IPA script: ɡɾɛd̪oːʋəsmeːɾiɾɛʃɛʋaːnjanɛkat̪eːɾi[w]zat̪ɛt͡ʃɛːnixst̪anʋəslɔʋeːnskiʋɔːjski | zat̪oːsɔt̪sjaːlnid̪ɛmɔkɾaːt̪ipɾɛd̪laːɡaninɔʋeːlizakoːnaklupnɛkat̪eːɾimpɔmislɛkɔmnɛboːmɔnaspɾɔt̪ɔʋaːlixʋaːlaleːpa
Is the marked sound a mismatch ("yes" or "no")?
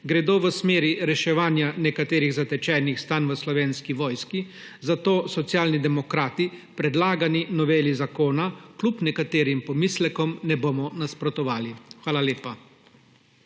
yes